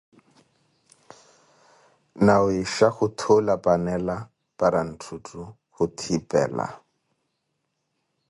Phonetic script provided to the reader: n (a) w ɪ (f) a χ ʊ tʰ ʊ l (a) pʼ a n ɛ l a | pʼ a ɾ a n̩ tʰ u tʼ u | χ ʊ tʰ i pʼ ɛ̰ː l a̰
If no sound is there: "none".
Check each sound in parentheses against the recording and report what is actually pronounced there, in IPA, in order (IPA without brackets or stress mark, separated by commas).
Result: a, ʃ, a